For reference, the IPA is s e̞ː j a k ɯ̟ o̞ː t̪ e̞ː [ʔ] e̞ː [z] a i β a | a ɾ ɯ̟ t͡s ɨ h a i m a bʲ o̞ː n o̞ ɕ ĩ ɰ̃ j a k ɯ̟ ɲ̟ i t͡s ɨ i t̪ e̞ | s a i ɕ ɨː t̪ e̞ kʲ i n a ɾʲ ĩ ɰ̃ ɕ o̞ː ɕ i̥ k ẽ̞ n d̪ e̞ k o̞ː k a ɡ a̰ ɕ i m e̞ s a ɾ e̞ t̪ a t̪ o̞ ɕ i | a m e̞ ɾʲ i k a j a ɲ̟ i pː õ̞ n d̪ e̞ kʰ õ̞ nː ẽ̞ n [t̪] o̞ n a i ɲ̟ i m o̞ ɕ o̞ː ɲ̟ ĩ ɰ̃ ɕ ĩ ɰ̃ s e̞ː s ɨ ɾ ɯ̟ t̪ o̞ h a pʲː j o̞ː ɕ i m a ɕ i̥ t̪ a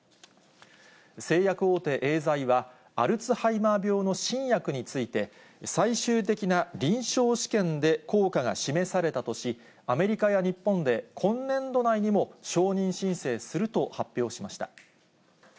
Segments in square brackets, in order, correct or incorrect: correct, correct, incorrect: d̪

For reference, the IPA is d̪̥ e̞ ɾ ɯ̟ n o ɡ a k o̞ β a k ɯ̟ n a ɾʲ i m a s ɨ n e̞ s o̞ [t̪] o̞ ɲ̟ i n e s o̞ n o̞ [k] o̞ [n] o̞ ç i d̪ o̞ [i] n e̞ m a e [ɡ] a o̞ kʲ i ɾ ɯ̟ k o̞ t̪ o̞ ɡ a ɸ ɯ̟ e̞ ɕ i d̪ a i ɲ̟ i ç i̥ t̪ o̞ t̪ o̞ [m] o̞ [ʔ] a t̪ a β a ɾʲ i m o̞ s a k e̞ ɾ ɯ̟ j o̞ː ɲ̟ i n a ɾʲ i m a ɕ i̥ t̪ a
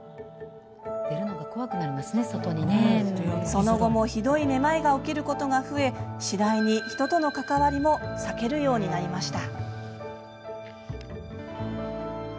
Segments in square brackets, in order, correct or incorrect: correct, incorrect: ɡ, incorrect: m, correct, correct, incorrect: n, incorrect: k

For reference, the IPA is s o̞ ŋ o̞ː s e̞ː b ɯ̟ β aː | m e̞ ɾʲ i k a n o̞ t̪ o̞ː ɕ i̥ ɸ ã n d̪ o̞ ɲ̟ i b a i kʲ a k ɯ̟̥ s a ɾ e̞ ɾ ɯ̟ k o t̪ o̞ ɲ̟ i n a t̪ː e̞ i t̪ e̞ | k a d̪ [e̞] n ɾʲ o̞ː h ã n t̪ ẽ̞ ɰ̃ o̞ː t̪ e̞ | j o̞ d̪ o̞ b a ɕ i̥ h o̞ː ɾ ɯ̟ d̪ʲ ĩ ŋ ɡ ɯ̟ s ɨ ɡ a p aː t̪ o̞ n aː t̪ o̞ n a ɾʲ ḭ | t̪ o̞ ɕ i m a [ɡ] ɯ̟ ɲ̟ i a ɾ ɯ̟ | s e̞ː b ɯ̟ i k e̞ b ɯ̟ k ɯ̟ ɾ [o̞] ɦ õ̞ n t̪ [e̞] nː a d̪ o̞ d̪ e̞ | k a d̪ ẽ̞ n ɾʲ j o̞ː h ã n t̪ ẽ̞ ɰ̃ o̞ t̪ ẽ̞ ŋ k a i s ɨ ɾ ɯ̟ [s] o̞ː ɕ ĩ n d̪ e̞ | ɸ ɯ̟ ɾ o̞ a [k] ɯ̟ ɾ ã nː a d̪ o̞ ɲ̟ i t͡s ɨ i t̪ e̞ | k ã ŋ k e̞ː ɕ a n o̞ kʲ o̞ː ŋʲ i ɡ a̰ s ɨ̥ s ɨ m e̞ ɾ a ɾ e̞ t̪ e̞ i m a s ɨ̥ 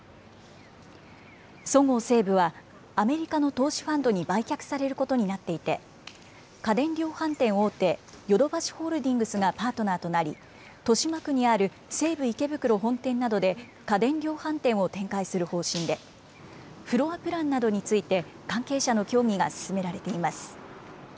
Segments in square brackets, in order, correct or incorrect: incorrect: ẽ̞, incorrect: k, correct, incorrect: ẽ̞, incorrect: h, incorrect: p

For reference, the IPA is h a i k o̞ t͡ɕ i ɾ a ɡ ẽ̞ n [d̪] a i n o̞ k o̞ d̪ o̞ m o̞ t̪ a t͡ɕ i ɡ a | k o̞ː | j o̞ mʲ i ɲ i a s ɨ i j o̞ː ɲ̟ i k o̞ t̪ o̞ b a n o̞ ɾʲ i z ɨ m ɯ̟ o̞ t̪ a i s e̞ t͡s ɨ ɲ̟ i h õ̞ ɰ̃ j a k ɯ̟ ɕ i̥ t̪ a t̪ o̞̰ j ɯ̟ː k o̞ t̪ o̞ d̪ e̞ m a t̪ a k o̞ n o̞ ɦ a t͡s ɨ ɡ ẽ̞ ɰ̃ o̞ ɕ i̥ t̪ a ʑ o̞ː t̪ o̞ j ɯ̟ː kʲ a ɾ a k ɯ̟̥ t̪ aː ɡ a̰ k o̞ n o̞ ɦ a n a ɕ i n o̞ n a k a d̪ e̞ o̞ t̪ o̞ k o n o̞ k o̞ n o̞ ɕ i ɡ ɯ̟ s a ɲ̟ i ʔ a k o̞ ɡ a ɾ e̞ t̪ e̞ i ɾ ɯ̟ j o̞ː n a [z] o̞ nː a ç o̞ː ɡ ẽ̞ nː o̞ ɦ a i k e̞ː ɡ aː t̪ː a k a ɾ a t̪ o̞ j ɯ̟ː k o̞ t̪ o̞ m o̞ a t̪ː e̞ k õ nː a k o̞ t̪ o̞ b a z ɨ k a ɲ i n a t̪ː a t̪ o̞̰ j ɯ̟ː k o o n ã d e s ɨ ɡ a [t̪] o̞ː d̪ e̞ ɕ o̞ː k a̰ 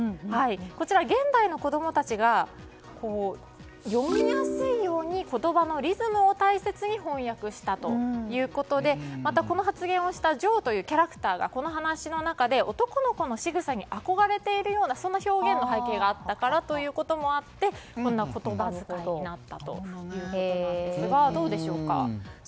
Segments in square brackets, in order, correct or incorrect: correct, incorrect: s, incorrect: d̪

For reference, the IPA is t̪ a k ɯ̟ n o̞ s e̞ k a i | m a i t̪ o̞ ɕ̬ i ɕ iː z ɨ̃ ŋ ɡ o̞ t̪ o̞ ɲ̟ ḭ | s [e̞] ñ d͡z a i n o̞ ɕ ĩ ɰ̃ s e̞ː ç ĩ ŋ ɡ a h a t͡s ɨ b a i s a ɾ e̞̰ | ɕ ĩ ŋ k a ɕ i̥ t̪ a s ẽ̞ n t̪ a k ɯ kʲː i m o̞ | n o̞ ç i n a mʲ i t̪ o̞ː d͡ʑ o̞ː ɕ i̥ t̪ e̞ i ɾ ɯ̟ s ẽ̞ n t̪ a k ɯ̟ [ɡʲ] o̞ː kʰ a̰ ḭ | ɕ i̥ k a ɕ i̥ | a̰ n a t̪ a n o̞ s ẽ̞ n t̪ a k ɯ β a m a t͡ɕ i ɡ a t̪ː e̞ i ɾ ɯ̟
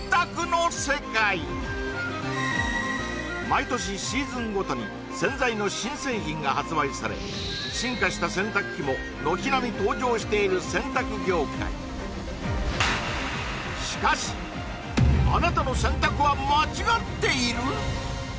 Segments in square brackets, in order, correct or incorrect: incorrect: ẽ̞, correct

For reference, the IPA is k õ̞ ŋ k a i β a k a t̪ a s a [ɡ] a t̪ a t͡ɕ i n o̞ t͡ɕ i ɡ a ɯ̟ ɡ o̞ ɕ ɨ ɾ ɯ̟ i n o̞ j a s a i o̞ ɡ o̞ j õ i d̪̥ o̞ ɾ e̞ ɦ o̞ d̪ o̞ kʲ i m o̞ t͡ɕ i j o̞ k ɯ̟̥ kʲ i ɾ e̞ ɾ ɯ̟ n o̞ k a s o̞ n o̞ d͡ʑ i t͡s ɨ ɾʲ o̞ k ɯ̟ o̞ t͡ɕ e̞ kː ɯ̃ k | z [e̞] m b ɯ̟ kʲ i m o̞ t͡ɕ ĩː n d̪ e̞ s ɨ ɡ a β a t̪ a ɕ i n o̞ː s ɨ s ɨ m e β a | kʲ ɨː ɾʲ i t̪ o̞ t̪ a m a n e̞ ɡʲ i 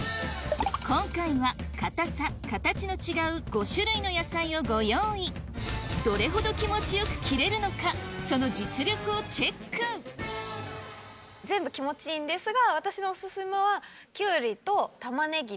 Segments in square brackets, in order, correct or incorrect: incorrect: k, incorrect: ẽ̞

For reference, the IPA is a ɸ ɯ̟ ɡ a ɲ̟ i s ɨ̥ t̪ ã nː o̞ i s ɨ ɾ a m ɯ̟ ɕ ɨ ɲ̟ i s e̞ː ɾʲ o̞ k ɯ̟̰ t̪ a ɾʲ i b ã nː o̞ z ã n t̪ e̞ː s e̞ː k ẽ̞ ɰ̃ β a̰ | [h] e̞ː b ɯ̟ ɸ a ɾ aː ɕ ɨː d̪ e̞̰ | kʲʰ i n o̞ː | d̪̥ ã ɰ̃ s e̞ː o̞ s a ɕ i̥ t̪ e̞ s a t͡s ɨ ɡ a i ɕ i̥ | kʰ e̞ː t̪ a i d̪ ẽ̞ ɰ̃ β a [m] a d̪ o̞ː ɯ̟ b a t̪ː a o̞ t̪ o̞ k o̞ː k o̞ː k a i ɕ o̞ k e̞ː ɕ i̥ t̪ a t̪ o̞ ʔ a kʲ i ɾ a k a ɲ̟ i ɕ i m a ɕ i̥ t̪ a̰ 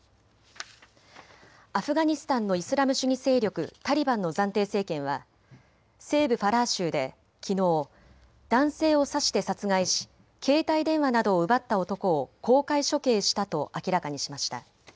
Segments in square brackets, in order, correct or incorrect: incorrect: s, incorrect: n

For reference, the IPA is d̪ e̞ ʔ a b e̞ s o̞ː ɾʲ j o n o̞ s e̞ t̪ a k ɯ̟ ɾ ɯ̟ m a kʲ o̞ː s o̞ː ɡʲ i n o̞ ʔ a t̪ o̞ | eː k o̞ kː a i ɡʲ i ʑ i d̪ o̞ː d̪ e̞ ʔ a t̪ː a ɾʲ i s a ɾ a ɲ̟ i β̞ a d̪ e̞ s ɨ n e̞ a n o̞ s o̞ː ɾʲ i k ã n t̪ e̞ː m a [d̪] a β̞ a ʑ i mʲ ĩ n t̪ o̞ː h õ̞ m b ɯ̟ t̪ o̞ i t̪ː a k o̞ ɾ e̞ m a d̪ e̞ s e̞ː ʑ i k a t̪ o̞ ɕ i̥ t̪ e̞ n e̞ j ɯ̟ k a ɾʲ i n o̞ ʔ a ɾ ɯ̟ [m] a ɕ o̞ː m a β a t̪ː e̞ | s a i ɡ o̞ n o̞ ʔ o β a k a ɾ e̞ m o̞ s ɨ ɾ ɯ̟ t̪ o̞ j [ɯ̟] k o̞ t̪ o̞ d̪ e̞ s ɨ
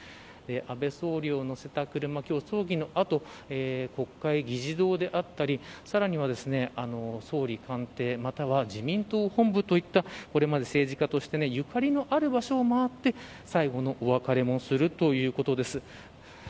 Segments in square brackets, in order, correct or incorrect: incorrect: t̪, incorrect: b, incorrect: ɯ̟ː

